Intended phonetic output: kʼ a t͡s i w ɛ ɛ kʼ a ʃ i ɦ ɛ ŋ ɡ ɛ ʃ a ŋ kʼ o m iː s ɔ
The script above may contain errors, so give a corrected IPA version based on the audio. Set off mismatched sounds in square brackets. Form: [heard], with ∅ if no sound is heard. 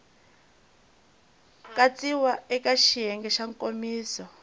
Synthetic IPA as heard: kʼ a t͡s i w [a] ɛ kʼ a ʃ i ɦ ɛ ŋ ɡ ɛ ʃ a ŋ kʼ o m iː s ɔ